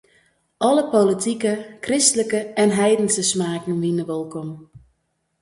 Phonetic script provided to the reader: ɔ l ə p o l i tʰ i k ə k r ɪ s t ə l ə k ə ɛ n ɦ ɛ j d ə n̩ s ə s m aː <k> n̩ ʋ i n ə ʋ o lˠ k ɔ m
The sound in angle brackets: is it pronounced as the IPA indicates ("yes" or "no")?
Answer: yes